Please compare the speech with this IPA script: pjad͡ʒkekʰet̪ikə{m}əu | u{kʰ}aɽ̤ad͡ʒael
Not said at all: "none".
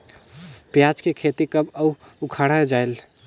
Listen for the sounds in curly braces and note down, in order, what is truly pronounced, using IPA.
b, kʰ

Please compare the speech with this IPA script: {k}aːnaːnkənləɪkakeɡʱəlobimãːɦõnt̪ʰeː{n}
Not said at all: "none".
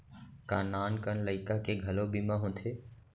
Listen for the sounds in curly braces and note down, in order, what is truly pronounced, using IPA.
k, none

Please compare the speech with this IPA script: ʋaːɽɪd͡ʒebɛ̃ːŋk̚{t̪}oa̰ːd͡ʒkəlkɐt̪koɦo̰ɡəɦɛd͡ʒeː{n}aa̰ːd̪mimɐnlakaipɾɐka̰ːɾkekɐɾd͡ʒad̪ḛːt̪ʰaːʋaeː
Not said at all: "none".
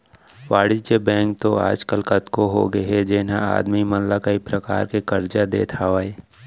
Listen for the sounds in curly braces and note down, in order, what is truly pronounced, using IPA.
t̪, n

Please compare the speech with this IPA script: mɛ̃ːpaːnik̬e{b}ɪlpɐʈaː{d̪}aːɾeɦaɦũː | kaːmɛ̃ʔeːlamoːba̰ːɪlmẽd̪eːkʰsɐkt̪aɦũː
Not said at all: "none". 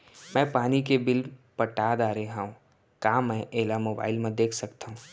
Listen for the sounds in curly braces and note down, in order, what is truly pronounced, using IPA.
b, d̪

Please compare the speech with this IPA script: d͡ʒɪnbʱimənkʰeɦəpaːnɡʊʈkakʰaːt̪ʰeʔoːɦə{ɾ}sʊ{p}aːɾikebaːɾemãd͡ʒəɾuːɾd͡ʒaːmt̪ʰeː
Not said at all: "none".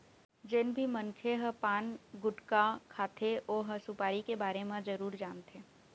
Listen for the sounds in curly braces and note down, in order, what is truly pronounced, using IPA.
none, p

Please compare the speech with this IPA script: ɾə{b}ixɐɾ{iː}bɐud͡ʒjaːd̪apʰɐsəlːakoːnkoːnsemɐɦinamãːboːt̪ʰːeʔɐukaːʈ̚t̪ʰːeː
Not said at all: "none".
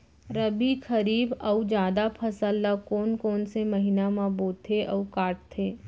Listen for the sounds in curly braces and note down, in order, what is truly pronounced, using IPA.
b, iː

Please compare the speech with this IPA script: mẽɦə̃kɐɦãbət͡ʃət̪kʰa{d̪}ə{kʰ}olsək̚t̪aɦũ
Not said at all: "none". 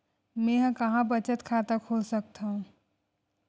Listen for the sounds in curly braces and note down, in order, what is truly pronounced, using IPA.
t̪, kʰ

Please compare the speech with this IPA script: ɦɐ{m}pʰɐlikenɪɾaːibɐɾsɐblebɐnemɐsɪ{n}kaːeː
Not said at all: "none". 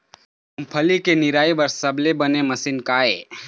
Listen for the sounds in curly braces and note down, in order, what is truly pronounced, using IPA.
m, n

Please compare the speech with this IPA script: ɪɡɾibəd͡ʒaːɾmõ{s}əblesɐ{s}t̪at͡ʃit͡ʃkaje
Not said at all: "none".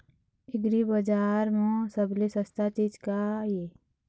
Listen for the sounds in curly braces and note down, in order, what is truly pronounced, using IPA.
s, s

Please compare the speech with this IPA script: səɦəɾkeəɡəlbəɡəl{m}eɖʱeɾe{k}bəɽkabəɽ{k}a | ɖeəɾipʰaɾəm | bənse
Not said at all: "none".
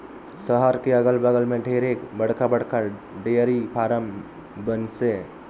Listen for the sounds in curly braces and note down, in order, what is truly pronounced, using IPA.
m, k, k

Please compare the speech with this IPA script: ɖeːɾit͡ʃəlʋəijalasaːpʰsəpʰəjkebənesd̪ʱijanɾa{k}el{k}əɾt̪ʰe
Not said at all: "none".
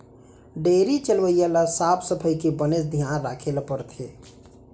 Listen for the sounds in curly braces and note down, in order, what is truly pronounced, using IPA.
kʰ, p

